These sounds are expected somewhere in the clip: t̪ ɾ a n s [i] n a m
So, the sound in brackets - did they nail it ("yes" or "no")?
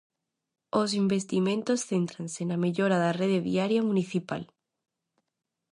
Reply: no